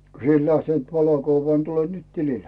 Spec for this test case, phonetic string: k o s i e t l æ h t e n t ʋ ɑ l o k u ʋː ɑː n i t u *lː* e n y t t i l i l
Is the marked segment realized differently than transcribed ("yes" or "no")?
yes